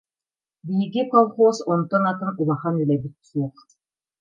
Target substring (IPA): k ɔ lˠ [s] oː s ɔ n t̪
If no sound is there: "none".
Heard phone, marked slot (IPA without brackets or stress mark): χ